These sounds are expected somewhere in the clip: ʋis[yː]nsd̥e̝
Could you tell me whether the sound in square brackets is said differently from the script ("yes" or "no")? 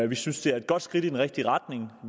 yes